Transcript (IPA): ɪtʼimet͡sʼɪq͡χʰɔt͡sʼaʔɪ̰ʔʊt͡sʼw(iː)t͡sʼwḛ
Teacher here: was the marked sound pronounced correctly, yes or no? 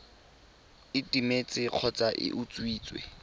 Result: yes